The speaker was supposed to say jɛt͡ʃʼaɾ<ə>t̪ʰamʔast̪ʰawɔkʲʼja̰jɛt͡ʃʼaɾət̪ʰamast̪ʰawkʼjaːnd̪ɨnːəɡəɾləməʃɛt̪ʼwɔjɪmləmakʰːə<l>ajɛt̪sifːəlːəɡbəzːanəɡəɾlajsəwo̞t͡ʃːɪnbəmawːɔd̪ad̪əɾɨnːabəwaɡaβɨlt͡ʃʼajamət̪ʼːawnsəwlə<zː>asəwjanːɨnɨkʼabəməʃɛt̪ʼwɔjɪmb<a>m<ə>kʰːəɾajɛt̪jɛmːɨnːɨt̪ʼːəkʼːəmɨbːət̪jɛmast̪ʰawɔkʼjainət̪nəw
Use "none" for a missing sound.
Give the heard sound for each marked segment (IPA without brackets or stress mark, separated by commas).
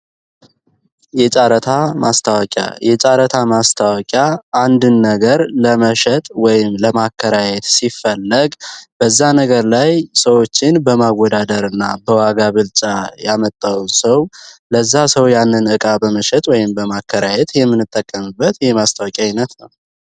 ə, ɾ, zː, ə, a